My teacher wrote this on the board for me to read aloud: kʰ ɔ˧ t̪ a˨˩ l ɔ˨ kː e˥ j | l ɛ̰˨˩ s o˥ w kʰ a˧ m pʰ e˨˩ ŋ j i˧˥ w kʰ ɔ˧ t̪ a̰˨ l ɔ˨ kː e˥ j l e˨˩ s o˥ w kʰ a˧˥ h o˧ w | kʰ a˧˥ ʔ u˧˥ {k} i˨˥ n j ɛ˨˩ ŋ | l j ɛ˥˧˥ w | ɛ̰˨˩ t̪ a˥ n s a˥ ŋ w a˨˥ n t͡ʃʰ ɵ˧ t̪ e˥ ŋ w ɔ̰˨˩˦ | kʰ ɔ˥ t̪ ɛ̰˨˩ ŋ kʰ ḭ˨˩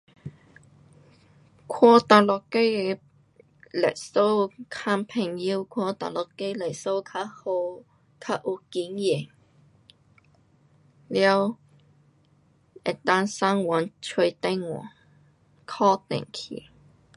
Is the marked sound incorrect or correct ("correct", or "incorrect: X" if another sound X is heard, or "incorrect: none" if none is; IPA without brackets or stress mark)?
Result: correct